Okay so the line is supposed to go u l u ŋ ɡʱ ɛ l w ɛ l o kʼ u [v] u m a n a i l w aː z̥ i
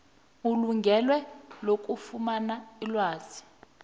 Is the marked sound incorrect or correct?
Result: incorrect